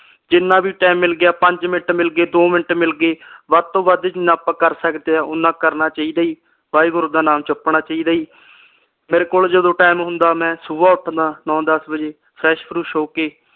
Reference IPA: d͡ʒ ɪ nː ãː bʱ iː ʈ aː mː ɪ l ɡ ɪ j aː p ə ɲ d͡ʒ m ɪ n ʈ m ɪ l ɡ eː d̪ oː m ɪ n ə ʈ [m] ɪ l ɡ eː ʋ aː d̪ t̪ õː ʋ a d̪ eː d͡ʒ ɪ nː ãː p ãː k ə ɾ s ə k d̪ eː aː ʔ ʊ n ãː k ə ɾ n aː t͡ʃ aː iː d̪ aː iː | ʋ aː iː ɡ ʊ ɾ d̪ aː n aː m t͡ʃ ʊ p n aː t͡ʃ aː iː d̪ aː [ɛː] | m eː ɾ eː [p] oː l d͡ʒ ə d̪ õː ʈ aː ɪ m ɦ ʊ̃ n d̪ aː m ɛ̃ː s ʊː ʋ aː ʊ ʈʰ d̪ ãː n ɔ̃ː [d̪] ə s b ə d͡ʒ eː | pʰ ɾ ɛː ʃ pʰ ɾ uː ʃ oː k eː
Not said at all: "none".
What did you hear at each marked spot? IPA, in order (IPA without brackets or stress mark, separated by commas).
m, iː, k, d̪